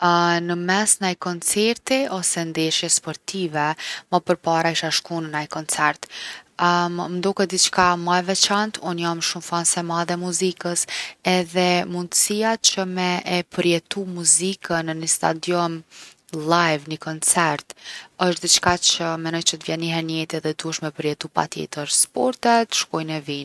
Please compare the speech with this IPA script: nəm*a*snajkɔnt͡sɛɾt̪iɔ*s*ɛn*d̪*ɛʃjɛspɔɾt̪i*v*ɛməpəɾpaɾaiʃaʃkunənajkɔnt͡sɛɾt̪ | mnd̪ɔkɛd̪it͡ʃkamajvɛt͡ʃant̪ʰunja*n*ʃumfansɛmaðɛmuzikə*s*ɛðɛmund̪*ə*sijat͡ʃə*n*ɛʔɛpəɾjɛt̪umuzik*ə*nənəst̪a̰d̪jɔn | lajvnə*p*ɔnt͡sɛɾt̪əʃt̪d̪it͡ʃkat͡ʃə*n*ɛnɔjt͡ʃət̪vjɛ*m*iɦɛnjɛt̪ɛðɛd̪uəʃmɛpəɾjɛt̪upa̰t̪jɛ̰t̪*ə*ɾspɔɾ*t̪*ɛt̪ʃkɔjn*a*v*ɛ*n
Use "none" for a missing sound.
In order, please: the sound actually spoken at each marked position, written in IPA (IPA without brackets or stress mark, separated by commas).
ɛ, s, d̪, v, m, s, ə, m, ə, k, m, n, ə, t̪, ɛ, i